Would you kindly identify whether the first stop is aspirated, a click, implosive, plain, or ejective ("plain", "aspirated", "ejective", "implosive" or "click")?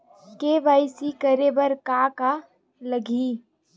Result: plain